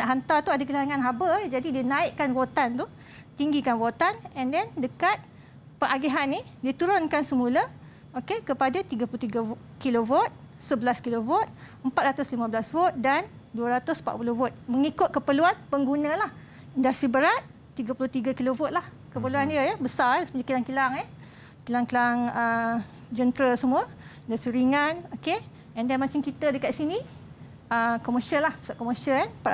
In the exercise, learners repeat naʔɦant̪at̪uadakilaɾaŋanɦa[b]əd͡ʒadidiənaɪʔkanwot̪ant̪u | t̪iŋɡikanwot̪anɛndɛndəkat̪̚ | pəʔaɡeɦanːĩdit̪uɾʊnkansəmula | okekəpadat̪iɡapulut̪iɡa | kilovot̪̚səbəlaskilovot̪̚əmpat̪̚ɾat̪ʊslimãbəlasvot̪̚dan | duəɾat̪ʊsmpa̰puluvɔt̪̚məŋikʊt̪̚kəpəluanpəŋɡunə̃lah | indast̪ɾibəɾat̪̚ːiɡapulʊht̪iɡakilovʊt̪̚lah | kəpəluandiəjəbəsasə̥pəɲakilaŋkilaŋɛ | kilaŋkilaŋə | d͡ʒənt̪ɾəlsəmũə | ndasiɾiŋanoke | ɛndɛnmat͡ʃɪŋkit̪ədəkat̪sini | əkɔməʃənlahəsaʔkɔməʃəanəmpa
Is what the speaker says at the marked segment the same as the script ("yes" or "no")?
yes